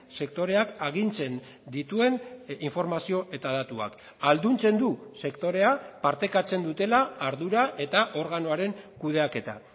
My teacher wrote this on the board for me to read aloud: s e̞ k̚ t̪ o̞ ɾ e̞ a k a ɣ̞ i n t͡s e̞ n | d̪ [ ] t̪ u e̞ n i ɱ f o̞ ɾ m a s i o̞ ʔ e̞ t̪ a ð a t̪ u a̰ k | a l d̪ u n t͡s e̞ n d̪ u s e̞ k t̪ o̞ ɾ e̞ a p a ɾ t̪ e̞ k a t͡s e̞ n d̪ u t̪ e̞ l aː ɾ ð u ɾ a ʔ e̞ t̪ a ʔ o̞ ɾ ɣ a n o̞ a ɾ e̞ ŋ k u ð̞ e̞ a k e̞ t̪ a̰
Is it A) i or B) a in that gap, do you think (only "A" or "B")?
A